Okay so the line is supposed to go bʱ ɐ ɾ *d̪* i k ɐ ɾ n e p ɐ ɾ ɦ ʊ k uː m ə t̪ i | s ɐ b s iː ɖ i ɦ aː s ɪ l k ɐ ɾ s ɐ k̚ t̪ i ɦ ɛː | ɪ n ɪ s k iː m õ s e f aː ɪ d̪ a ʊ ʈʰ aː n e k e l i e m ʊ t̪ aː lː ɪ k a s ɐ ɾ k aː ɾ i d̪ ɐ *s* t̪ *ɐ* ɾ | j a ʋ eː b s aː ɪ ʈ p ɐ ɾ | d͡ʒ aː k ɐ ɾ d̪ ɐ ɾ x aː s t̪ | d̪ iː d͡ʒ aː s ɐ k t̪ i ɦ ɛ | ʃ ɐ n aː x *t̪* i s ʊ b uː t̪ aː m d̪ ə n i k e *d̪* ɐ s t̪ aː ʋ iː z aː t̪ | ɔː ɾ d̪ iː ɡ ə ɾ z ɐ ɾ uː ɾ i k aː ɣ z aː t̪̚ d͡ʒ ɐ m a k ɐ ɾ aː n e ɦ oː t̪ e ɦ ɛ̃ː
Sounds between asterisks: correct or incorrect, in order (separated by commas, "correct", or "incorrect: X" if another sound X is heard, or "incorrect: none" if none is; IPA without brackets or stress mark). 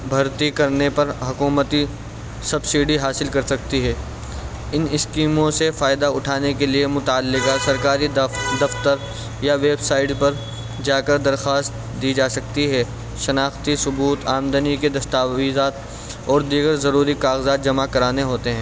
incorrect: t̪, incorrect: f, incorrect: ə, correct, correct